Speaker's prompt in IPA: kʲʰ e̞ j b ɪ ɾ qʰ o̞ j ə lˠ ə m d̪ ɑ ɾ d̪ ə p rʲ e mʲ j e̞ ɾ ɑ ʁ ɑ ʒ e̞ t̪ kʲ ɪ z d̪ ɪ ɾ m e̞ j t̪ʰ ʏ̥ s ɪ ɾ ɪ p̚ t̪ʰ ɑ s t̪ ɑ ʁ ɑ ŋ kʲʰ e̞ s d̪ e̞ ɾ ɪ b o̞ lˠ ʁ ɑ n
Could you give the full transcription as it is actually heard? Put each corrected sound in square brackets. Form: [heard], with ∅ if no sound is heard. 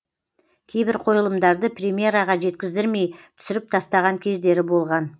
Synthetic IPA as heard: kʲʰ e̞ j b ɪ ɾ qʰ o̞ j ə lˠ ə m d̪ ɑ ɾ d̪ ə p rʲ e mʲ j e̞ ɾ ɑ ʁ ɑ ʒ e̞ t̪ kʲ ɪ z d̪ ɪ ɾ m e̞ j t̪ʰ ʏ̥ s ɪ ɾ ɪ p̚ t̪ʰ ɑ s t̪ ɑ ʁ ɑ ŋ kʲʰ e̞ [z] d̪ e̞ ɾ ɪ b o̞ lˠ ʁ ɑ n